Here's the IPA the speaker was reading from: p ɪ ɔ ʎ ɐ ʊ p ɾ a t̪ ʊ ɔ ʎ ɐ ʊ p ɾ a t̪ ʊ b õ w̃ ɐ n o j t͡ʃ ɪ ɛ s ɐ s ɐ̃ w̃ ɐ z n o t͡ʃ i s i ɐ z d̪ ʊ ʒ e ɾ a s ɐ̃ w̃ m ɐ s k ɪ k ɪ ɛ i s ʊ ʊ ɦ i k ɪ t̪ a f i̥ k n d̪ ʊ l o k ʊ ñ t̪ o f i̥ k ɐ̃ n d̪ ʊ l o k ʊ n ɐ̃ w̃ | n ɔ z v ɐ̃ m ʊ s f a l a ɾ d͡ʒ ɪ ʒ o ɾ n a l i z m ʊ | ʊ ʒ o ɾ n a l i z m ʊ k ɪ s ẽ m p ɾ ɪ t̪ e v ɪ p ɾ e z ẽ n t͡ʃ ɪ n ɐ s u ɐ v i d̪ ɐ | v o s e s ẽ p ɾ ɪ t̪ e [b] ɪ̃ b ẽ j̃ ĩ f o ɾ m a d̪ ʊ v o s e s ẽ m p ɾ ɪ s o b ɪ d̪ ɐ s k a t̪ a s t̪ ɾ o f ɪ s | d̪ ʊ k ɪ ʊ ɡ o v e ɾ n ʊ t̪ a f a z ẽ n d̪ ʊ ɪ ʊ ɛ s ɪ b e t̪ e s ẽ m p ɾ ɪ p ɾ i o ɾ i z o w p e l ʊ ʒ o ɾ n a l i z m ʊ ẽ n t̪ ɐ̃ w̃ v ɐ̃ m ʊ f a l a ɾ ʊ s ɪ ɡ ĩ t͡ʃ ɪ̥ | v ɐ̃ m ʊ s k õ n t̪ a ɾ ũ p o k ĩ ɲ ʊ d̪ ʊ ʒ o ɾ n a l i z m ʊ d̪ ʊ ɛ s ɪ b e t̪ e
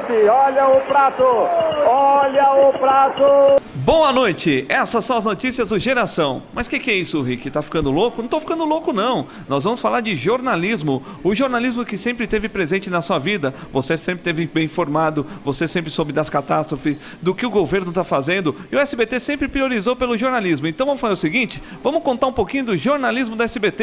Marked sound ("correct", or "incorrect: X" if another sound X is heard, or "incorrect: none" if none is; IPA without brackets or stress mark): incorrect: v